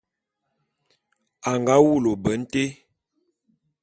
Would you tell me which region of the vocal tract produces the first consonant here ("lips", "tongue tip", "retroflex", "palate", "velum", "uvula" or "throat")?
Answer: velum